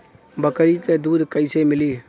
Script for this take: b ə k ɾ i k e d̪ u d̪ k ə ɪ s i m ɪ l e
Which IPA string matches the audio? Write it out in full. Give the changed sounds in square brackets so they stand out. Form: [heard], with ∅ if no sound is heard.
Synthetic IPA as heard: b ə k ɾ i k e d̪ u d̪ k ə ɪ s [e] m ɪ l [i]